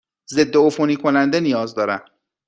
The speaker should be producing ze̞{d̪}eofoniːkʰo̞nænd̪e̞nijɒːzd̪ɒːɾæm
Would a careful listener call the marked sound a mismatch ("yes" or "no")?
yes